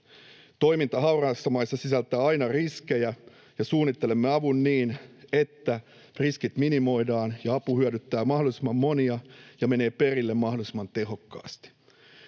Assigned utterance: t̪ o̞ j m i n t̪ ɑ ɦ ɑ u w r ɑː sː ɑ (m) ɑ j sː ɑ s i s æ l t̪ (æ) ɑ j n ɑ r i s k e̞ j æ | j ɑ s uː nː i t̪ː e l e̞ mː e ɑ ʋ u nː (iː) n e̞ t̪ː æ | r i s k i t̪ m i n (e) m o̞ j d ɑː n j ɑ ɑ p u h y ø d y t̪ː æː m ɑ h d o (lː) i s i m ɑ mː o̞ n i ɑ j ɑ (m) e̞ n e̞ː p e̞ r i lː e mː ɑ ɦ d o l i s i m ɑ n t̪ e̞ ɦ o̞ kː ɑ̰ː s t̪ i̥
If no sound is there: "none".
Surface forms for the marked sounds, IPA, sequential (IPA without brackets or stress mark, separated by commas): m, æː, iː, i, l, m